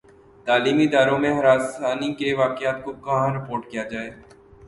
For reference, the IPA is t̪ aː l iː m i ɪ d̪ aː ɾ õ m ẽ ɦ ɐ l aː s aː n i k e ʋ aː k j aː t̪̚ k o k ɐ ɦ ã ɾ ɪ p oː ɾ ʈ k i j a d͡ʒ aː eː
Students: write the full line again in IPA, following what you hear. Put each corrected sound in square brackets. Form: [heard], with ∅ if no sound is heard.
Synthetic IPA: t̪ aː l iː m i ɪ d̪ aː ɾ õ m ẽ ɦ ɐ [ɾ] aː s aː n i k e ʋ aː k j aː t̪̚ k o k ɐ ɦ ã ɾ ɪ p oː ɾ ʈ k i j a d͡ʒ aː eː